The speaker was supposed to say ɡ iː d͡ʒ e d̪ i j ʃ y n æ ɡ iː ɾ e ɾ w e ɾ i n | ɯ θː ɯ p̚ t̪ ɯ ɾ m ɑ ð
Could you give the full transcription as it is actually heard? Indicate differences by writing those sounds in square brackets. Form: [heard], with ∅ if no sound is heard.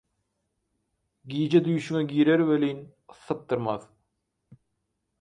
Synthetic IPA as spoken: ɡ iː d͡ʒ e d̪ [y] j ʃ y [ŋ] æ ɡ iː ɾ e ɾ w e [l] i n | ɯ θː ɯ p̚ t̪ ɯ ɾ m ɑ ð